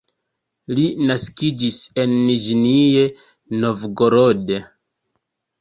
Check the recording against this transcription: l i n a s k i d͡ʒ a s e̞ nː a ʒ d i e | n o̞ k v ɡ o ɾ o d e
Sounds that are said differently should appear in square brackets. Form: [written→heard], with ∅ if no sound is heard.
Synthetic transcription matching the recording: l i n a s k i d͡ʒ [a→i] s e̞ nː [a→i] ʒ [d→n] i e | n o̞ [k→∅] v ɡ o ɾ o d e